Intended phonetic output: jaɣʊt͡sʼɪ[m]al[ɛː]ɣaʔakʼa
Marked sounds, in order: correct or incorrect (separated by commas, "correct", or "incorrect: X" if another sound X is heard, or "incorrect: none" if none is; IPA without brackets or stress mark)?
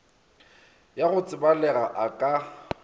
incorrect: b, incorrect: ɛ